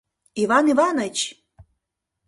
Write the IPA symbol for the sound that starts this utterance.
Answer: i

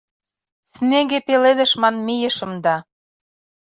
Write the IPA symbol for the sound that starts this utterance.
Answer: s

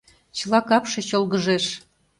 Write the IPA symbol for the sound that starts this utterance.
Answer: t͡ɕ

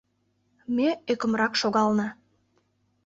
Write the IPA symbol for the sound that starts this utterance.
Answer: m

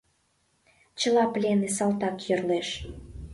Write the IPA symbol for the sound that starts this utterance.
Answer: t͡ɕ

